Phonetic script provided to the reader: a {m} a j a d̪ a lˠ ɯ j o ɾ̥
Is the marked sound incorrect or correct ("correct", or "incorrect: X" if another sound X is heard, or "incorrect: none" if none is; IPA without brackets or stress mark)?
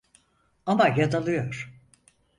correct